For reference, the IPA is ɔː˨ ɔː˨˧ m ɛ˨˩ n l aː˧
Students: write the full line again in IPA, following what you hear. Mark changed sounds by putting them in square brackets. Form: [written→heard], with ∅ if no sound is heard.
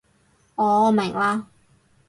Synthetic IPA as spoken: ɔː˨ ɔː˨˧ m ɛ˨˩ [n→ŋ] l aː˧